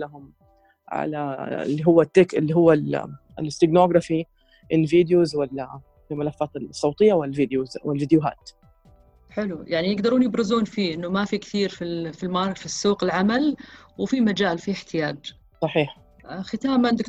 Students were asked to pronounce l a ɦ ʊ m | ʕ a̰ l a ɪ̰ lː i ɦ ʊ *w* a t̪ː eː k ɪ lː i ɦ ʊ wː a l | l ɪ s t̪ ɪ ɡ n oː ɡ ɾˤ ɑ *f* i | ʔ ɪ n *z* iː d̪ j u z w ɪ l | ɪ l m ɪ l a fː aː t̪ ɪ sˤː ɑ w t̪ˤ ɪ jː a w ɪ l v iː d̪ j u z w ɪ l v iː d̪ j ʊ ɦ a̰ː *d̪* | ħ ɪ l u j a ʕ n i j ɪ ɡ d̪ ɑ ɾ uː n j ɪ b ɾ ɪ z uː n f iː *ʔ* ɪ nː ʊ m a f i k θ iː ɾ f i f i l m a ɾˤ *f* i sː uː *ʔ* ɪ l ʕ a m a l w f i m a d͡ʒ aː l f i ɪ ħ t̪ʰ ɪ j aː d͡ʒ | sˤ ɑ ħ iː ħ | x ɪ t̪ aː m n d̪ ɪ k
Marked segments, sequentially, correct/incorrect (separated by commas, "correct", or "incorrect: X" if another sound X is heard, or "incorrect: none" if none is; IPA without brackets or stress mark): incorrect: wː, correct, incorrect: v, incorrect: t̪, correct, correct, incorrect: q